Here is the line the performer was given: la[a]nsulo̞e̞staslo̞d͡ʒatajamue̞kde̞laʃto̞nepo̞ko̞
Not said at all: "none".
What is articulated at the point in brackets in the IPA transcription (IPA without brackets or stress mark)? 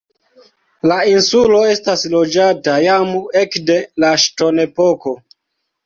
i